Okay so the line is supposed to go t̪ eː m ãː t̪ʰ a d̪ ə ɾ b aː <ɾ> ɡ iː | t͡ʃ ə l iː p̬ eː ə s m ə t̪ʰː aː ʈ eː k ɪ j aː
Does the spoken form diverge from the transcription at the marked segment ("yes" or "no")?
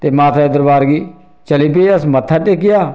no